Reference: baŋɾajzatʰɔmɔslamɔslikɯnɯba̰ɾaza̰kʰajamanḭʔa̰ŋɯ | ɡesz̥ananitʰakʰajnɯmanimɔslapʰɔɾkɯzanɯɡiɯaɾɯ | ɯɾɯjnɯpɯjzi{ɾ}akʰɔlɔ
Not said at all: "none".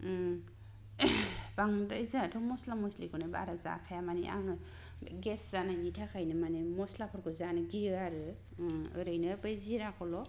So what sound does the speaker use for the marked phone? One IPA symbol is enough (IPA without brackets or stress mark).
ɾ